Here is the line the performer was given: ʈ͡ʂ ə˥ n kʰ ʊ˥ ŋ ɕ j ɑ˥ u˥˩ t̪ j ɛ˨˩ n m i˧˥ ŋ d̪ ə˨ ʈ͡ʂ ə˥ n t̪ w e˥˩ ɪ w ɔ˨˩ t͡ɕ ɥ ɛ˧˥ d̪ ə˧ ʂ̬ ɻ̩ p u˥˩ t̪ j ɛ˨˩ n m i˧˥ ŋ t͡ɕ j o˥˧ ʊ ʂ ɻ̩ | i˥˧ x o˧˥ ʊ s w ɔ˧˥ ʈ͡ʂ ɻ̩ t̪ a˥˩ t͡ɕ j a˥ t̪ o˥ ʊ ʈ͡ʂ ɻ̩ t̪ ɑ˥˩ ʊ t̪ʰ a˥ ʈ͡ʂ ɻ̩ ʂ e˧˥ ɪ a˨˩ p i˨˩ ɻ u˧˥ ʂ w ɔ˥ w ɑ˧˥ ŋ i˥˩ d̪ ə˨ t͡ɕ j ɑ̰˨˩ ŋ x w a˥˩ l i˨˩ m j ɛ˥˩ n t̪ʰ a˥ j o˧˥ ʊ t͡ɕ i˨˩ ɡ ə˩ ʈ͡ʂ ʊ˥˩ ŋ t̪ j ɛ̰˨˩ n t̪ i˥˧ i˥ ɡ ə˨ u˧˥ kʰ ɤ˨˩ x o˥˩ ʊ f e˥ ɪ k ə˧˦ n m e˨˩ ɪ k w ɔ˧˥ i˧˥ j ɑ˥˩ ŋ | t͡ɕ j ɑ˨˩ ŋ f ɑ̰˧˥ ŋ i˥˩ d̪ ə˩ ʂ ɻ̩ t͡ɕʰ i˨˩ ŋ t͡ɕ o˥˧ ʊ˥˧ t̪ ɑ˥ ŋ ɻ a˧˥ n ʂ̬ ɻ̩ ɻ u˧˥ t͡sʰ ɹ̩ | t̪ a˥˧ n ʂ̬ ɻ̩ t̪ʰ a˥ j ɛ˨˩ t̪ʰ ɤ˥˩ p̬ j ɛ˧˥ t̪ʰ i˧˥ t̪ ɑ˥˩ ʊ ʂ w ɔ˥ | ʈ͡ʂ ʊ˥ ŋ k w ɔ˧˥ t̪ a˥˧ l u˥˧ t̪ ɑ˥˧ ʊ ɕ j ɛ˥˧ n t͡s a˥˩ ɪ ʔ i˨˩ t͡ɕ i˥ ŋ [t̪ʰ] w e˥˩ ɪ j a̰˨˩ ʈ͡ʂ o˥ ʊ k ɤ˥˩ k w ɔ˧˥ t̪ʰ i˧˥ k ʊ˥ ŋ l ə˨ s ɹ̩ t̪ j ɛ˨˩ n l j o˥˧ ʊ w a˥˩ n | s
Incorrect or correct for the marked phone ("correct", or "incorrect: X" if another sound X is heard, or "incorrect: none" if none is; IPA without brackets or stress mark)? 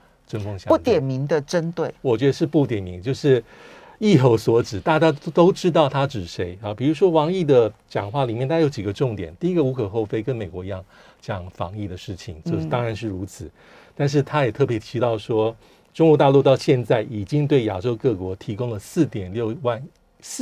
incorrect: t̪